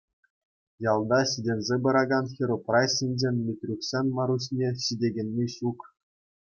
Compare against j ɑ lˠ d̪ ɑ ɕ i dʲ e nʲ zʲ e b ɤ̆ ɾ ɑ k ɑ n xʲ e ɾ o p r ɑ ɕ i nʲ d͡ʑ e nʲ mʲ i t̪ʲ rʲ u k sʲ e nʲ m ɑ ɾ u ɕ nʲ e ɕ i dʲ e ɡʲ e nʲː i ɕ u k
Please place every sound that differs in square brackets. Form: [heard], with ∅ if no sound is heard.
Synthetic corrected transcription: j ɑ lˠ d̪ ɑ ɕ i dʲ e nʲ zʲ e b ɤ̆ ɾ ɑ [ɡ] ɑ n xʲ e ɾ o p r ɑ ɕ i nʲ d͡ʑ e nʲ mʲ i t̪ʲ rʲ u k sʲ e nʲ m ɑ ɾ u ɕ nʲ e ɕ i dʲ e ɡʲ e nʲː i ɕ u k

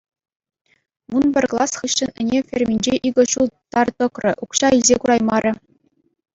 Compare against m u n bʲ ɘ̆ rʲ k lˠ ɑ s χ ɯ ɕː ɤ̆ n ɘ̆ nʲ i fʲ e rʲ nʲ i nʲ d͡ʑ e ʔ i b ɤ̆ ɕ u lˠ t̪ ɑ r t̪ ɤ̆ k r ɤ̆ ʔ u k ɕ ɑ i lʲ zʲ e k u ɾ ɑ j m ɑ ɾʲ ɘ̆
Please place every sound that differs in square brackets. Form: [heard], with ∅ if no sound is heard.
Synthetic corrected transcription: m u n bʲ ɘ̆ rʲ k lˠ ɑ s χ ɯ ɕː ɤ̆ n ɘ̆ nʲ [e] fʲ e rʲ [mʲ] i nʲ d͡ʑ e ʔ i [ɡ] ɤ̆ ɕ u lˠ t̪ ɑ r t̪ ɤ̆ k r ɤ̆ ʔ u k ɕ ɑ i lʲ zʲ e k u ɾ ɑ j m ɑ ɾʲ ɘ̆

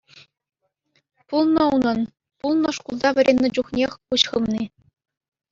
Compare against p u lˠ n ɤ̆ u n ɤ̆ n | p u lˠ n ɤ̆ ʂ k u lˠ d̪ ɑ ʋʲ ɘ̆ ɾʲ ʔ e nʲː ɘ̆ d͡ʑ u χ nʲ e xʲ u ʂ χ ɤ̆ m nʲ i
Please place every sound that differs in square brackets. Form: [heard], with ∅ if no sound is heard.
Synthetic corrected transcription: p u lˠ n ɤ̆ u n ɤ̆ n | p u lˠ n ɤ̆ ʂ k u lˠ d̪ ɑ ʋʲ ɘ̆ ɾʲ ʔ e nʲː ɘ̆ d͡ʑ u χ nʲ e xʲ u [ɕ] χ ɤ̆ m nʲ i

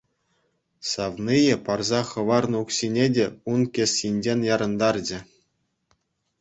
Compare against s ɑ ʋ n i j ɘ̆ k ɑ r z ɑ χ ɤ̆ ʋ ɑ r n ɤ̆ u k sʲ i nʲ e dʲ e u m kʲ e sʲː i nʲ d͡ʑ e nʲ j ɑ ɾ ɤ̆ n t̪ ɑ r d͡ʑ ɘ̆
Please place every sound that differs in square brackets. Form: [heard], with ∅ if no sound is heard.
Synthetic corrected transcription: s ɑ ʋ n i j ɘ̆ [p] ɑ r z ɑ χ ɤ̆ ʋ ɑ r n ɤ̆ u k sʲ i nʲ e dʲ e u [n] kʲ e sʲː i nʲ d͡ʑ e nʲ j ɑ ɾ ɤ̆ n [d̪] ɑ r d͡ʑ ɘ̆

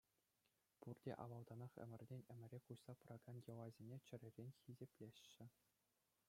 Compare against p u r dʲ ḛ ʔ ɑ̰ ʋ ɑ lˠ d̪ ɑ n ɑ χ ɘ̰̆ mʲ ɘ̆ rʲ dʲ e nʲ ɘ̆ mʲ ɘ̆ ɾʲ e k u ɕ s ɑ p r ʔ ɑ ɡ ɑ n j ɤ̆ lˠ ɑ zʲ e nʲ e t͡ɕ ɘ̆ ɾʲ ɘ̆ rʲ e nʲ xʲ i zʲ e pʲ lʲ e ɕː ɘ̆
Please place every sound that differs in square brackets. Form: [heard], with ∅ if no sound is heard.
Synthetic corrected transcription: p u r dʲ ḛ ʔ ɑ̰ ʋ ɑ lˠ d̪ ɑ n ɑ χ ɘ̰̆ mʲ ɘ̆ rʲ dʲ e nʲ ɘ̆ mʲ ɘ̆ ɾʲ e k u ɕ s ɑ p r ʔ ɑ ɡ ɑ n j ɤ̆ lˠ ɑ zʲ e nʲ e t͡ɕ ɘ̆ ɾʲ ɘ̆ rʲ e nʲ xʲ i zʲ e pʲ lʲ e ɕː ɘ̆

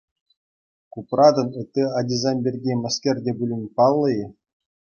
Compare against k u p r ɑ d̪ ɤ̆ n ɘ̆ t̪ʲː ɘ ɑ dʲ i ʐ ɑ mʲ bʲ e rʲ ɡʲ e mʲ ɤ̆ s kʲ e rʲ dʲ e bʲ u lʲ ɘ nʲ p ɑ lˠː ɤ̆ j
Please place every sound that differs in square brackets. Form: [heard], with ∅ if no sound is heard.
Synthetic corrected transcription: k u p r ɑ d̪ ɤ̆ n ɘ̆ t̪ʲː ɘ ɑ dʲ i [z] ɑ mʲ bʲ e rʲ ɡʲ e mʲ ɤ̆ s kʲ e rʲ dʲ e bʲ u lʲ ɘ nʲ p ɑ lˠː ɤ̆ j

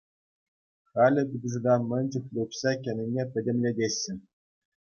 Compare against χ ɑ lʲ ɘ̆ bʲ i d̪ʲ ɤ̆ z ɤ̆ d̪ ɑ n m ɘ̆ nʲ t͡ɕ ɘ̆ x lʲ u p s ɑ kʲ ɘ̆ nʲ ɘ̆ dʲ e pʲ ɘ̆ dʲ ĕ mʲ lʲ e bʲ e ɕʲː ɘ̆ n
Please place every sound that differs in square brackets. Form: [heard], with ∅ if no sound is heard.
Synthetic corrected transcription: χ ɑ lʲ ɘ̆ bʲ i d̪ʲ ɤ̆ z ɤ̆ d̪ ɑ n m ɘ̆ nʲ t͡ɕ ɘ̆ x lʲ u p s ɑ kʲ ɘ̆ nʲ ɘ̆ [nʲ] e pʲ ɘ̆ dʲ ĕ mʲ lʲ e [dʲ] e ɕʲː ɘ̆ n

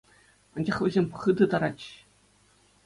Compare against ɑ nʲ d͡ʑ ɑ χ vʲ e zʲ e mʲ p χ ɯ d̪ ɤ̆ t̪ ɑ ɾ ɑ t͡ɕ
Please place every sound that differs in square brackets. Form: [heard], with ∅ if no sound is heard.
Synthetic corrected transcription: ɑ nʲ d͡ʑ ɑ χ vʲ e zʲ e mʲ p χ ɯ d̪ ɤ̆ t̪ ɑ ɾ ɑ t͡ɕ

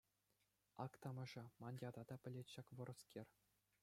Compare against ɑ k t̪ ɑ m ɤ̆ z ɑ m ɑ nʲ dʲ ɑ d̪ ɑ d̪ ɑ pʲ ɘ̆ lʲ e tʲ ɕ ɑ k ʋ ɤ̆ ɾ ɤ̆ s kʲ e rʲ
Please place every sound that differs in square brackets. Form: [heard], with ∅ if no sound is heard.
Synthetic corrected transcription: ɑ k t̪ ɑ m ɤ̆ [ʐ] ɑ m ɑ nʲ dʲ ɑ d̪ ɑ d̪ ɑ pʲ ɘ̆ lʲ e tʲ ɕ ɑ k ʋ ɤ̆ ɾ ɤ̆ s kʲ e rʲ

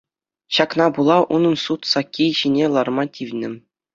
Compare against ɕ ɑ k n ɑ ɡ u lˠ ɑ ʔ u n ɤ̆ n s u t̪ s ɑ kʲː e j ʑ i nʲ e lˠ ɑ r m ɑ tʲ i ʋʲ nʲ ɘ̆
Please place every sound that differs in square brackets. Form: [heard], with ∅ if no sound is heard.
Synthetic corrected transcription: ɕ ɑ k n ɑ [b] u lˠ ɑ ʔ u n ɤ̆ n s u t̪ s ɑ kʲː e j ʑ i nʲ e lˠ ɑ r m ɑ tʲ i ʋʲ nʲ ɘ̆

